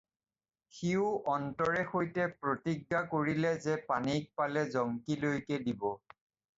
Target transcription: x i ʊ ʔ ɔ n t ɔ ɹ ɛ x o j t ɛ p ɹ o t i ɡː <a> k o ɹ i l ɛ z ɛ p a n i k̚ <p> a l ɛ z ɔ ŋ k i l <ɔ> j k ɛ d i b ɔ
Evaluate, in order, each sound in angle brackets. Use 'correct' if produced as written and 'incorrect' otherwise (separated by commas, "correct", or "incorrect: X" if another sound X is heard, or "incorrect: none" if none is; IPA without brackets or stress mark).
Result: correct, correct, incorrect: o